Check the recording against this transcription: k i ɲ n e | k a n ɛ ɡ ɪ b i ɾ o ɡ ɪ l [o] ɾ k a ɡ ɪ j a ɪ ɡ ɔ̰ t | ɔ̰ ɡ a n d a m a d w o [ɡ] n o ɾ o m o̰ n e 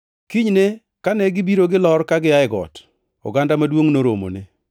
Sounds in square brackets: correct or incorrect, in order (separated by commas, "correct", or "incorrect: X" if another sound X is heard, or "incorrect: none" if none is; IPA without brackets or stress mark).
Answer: incorrect: ɔ, incorrect: ŋ